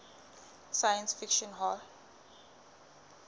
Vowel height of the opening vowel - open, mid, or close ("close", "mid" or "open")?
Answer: open